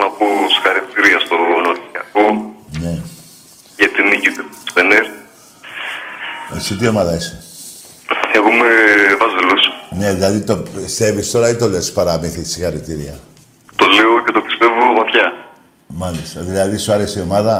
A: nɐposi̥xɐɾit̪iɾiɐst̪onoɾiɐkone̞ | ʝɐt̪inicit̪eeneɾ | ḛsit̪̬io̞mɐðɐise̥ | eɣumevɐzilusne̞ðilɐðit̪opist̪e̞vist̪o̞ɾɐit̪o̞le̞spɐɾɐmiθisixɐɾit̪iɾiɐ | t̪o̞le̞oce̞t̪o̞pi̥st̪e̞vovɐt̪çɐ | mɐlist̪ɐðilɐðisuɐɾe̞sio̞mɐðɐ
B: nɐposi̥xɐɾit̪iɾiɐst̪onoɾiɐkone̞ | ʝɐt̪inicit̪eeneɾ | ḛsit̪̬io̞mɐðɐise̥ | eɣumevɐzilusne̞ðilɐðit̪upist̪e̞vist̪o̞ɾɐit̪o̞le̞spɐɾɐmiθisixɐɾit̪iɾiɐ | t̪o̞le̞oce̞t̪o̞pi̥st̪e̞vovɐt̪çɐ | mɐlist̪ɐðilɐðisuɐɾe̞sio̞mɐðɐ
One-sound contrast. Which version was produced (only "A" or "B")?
A